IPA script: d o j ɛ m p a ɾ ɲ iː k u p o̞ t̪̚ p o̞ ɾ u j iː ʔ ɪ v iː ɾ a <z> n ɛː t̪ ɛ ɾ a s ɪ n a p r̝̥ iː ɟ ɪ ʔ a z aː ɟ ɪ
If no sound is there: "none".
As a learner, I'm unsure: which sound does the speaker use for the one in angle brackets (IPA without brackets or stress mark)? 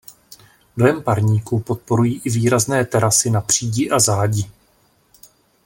z